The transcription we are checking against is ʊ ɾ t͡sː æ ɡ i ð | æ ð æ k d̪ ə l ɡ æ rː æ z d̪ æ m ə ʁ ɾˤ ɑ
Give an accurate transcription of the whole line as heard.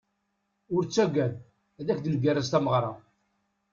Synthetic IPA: ʊ ɾ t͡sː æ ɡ æ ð | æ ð æ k d̪ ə l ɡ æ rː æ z t̪ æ m ə ʁ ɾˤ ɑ